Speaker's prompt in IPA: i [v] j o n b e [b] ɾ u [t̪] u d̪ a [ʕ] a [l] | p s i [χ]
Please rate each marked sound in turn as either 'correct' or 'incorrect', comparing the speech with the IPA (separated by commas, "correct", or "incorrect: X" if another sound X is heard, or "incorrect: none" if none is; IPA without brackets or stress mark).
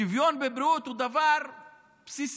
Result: correct, correct, correct, incorrect: v, incorrect: ɾ, incorrect: s